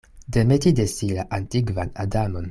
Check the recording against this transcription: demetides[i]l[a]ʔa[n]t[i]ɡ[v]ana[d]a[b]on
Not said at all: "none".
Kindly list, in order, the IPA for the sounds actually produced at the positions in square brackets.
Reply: i, a, n, i, v, d, m

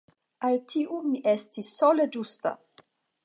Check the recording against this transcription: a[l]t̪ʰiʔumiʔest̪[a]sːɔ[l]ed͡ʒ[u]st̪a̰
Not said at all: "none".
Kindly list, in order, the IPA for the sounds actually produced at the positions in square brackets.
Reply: l, i, l, u

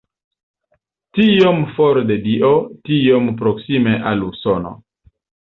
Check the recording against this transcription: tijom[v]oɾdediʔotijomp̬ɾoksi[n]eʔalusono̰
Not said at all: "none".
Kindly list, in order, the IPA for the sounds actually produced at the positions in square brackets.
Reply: f, m

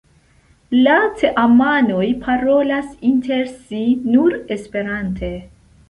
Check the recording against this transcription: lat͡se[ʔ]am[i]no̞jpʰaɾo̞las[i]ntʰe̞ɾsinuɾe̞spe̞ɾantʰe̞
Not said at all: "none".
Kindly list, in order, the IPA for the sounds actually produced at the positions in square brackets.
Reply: ʔ, a, i

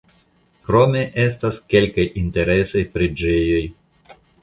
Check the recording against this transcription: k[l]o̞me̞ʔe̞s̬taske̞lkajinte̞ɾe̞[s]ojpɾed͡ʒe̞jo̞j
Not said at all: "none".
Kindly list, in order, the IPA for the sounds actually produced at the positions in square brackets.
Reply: ɾ, s

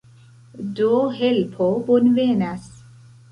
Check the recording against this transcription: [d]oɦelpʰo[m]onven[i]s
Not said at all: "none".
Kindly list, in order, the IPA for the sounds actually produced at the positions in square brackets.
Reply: d, b, a

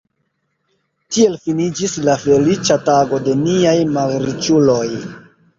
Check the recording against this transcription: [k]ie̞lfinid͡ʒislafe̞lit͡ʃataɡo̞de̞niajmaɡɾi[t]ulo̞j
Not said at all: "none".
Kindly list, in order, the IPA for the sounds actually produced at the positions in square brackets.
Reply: t, t͡ʃ

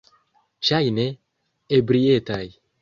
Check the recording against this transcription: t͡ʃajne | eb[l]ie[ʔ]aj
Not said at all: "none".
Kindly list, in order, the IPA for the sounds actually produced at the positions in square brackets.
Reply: ɾ, t

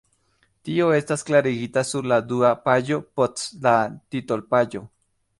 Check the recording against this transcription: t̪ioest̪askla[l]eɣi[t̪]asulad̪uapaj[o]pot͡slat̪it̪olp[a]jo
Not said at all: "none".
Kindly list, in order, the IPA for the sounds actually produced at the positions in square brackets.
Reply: ɾ, t̪, o, a

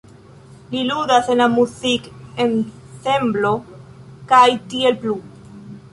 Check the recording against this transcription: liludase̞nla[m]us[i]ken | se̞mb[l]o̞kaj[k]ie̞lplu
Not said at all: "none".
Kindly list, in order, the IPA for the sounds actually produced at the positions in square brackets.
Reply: m, i, l, t

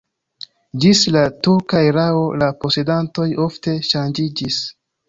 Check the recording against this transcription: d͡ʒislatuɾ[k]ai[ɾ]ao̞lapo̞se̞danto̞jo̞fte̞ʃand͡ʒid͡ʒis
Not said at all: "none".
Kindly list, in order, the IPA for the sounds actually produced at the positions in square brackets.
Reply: k, ɾ

